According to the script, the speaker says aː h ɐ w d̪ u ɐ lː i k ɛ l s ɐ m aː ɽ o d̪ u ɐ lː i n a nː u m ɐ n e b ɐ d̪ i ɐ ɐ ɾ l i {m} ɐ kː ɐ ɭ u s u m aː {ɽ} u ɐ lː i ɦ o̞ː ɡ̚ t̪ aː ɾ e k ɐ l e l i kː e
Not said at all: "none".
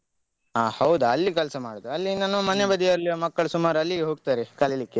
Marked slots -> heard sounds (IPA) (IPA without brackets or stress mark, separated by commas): m, ɾ